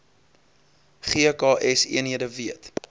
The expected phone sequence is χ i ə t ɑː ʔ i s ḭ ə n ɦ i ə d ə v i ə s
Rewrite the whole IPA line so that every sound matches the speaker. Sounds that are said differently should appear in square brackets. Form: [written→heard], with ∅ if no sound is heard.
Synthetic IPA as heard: χ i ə [t→k] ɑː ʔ [i→ɛ] s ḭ ə n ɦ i ə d ə v i ə [s→t]

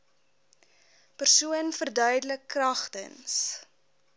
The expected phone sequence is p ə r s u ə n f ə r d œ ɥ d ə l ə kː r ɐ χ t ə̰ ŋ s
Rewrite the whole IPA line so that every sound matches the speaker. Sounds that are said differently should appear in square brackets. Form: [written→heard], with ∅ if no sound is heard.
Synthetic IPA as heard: p ə r s u ə n f ə r d œ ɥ d ə l ə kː r ɐ χ t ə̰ [ŋ→n] s

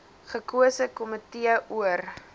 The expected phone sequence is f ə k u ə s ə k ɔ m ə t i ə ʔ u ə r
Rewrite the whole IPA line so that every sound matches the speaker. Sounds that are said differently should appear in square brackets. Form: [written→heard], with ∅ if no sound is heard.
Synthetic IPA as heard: [f→χ] ə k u ə s ə k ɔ m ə t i ə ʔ u ə r

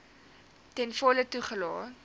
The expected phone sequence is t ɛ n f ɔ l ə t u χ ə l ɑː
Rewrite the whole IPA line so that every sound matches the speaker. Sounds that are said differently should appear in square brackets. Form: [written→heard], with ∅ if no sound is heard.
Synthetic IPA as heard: t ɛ n f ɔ l ə t u χ ə l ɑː

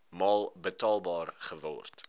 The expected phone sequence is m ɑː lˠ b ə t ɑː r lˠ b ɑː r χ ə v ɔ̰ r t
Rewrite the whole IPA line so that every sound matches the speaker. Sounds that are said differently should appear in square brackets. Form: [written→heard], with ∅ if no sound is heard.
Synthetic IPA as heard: m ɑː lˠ b ə t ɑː [r→∅] lˠ b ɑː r χ ə v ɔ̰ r t

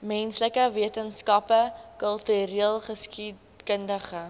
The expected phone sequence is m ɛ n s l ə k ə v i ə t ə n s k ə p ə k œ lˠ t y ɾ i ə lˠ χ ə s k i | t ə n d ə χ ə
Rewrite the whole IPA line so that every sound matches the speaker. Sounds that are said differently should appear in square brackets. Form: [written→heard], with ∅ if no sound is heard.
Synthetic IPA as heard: m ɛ n s l ə k ə v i ə t ə n s k [ə→ɐ] p ə k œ lˠ t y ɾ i ə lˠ χ ə s k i | [t→k] ə n d ə χ ə

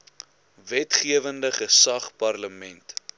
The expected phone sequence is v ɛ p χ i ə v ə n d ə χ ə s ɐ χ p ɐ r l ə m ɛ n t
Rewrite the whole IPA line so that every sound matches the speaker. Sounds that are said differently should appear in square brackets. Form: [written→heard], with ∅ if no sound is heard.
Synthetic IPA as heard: v ɛ [p→t] χ i ə v ə n d ə χ ə s ɐ χ p ɐ r l ə m ɛ n t

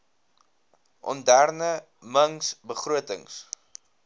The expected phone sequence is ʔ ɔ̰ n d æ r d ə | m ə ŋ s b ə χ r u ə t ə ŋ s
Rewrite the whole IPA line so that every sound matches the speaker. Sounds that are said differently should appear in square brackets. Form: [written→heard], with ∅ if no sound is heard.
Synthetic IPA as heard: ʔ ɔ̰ n d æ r [d→n] ə | m ə ŋ s b ə χ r u ə t ə ŋ s

